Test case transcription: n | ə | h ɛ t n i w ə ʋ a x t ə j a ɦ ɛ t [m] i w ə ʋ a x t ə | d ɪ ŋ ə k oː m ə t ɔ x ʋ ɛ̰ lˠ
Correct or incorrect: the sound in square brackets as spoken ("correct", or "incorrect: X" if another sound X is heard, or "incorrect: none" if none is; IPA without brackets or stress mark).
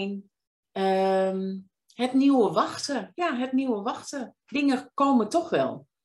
incorrect: n